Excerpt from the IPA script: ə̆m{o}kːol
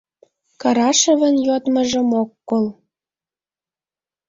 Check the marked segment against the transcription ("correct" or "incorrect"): correct